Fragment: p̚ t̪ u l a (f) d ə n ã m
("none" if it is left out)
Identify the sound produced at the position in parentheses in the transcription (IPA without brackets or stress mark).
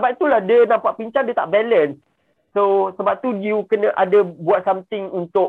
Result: h